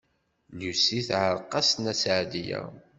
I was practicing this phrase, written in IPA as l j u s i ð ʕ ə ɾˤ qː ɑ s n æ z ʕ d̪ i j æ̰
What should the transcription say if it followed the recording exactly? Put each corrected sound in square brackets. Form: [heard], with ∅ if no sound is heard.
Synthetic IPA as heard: l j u s i [θ] ʕ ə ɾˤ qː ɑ s n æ [s] ʕ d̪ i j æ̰